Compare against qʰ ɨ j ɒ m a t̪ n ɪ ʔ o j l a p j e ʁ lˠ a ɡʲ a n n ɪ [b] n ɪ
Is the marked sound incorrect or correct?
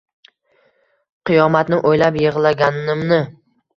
incorrect